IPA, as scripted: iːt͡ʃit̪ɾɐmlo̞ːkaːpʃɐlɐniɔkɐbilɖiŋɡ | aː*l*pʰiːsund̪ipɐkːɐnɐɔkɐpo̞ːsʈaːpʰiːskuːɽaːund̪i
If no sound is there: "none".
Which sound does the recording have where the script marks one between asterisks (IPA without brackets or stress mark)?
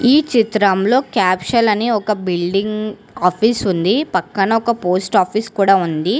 none